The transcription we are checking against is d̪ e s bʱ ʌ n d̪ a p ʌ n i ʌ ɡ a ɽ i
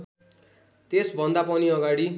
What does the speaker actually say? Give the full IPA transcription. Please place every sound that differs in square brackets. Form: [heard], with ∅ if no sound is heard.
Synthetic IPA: [t̪] e s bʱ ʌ n d̪ a p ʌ n i ʌ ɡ a ɽ i